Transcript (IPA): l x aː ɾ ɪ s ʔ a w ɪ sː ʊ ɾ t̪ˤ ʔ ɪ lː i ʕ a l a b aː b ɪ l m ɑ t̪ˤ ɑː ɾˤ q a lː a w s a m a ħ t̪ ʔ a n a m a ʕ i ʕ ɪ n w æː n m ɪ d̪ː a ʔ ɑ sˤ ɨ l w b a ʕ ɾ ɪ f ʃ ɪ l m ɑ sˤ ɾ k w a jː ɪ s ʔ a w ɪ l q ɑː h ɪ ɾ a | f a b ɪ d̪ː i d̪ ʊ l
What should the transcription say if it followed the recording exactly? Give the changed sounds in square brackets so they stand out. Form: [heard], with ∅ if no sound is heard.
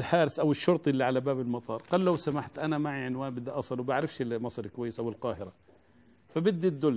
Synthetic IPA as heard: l [ħ] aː ɾ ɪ s ʔ a w ɪ [ʃː] ʊ ɾ t̪ˤ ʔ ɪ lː i ʕ a l a b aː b ɪ l m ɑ t̪ˤ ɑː ɾˤ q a lː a w s a m a ħ t̪ ʔ a n a m a ʕ i ʕ ɪ n w [aː] n [b] ɪ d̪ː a ʔ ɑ sˤ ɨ l w b a ʕ ɾ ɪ f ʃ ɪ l m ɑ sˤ ɾ k w a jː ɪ s ʔ a w ɪ l q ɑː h ɪ ɾ a | f a b ɪ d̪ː i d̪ ʊ l